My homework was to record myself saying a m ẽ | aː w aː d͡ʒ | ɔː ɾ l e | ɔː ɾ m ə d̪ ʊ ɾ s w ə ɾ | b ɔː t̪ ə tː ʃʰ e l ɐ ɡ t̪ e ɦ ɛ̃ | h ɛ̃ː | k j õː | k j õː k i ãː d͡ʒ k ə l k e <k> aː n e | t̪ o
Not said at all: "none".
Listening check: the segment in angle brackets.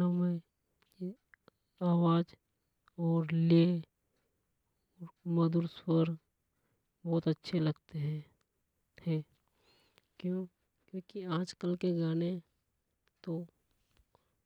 ɡ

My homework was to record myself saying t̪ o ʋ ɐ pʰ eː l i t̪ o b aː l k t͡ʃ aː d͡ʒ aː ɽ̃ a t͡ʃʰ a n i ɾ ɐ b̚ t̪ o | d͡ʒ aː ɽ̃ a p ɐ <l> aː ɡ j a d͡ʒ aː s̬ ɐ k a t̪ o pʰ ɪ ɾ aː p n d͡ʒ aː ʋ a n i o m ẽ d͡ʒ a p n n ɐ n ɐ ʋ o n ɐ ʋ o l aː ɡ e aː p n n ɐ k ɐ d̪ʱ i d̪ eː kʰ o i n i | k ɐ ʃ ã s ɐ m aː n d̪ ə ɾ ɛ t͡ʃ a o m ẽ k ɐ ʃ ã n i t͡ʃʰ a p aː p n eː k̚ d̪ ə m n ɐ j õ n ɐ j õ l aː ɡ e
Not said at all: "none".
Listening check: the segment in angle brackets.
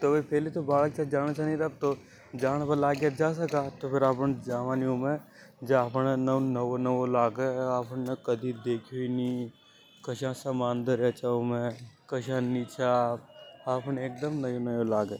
l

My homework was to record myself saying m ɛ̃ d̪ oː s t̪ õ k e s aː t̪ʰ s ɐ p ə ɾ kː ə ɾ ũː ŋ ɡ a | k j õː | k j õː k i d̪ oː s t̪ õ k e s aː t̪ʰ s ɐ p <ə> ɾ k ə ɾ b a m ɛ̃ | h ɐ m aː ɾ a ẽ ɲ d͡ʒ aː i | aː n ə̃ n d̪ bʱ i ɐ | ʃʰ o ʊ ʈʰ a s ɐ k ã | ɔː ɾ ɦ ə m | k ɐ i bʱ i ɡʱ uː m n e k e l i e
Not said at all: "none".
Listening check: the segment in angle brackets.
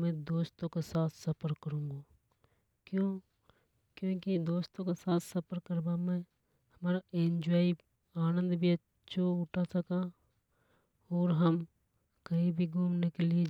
ə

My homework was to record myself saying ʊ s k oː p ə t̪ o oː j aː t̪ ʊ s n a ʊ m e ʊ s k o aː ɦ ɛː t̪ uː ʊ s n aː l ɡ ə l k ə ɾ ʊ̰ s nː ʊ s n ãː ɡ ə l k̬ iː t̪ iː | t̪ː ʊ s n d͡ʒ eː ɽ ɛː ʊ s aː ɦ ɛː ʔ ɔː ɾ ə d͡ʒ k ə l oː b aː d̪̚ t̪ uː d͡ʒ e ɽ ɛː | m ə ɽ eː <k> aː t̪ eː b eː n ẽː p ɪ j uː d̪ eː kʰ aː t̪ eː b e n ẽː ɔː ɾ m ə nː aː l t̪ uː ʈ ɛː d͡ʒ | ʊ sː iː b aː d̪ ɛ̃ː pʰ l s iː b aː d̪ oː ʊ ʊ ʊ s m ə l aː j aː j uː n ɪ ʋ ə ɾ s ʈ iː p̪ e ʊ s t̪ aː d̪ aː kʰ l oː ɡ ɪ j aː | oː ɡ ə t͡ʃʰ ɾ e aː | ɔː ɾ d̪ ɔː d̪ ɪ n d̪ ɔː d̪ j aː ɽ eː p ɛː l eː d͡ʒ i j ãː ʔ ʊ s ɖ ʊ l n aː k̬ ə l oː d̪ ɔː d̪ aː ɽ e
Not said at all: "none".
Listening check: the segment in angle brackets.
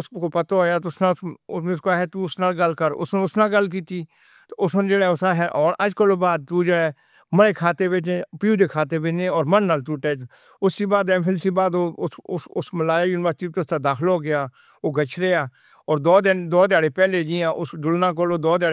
kʰ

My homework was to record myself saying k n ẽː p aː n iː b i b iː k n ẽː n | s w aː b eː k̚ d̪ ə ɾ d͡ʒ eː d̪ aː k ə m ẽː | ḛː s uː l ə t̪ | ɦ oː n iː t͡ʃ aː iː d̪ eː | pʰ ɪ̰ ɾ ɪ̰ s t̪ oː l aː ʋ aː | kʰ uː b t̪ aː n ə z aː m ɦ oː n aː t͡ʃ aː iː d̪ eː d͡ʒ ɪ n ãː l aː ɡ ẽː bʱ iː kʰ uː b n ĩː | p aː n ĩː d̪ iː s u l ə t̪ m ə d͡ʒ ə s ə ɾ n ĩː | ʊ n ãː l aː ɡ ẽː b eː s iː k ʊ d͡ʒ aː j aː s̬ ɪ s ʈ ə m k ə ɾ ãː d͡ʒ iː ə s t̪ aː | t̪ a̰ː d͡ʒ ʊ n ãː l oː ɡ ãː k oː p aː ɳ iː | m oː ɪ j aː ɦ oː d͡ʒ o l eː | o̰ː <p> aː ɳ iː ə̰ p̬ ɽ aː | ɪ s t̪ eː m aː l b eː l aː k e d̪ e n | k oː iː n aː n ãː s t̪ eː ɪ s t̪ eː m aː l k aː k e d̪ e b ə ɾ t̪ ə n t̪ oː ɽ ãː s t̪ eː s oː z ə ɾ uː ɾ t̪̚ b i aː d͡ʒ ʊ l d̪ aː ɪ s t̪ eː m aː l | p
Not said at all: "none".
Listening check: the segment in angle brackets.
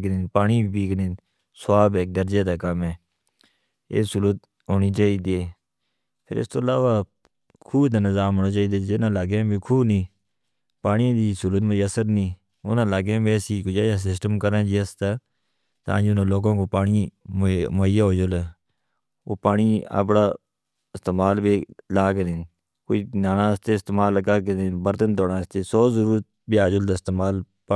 p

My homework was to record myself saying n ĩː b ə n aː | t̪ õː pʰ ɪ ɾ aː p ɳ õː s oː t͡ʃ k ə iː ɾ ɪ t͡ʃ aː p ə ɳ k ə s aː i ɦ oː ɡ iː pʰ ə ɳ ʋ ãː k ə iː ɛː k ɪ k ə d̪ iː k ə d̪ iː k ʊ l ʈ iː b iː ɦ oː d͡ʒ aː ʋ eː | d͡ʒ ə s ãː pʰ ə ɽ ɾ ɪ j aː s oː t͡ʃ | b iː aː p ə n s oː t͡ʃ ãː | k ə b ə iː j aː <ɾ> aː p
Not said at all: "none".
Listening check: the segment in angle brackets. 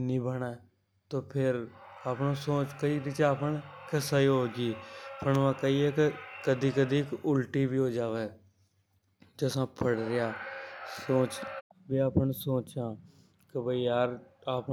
ɾ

